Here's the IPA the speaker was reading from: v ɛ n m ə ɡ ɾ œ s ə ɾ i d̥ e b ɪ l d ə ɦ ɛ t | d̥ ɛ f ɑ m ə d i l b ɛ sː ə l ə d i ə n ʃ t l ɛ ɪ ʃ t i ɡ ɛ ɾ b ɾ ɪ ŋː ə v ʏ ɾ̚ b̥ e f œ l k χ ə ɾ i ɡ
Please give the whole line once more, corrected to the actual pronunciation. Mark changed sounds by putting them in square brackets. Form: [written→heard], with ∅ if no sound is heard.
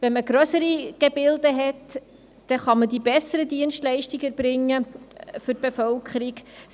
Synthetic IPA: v ɛ n m ə ɡ ɾ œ s ə ɾ i [d̥→ɡ̥] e b ɪ l d ə ɦ ɛ t | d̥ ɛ [f→χ] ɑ m ə d i [l→∅] b ɛ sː ə [l→ɾ] ə d i ə n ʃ t l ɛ ɪ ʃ t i ɡ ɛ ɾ b ɾ ɪ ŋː ə [v→f] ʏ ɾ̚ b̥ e f œ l k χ ə ɾ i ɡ